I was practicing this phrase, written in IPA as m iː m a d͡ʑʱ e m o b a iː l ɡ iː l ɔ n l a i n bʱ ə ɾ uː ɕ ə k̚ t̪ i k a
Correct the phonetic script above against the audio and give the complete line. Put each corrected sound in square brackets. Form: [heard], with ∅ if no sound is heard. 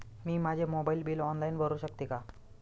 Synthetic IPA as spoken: m iː m a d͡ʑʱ e m o b a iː l [b] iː l ɔ n l a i n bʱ ə ɾ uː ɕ ə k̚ t̪ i k a

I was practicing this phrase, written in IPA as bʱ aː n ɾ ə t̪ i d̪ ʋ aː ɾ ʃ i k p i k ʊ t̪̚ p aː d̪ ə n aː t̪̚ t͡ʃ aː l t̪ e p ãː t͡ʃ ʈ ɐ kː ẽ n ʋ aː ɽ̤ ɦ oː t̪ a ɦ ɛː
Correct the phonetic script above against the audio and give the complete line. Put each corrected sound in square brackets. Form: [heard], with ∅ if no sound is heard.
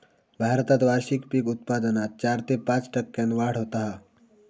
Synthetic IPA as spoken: bʱ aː [∅] ɾ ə t̪ [a] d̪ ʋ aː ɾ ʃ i k p i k ʊ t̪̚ p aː d̪ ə n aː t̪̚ t͡ʃ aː [ɾ] t̪ e p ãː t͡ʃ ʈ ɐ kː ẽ n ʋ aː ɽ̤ ɦ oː t̪ a ɦ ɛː

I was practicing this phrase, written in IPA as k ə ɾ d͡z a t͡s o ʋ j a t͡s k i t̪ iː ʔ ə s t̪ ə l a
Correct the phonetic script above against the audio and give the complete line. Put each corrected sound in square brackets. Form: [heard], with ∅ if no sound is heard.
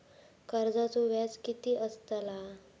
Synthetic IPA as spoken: k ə ɾ d͡z a t͡s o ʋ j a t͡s k i t̪ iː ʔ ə s t̪ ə l a

